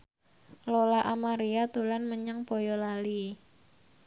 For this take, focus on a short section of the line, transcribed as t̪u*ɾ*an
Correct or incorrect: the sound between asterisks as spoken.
incorrect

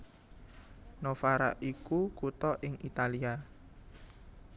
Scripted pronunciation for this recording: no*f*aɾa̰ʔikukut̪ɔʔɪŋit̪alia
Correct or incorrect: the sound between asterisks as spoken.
correct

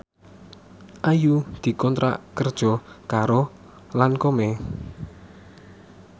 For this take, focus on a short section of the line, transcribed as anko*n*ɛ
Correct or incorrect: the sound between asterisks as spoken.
incorrect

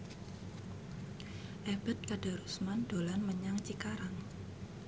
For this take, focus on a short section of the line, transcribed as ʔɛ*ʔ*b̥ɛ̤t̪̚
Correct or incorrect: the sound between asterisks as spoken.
incorrect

